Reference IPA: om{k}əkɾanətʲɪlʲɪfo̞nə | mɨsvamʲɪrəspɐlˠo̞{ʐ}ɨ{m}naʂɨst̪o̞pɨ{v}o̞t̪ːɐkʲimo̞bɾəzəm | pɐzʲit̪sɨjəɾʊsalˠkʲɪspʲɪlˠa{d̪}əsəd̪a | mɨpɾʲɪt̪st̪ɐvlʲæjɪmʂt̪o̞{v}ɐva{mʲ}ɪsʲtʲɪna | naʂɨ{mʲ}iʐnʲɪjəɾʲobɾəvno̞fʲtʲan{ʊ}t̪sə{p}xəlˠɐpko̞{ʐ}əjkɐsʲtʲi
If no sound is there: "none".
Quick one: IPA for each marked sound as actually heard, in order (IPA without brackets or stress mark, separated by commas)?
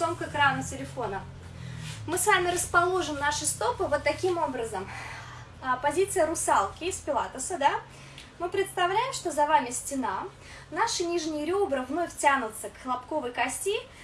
k, ʐ, m, v, t̪, z, mʲ, nʲ, ʊ, k, v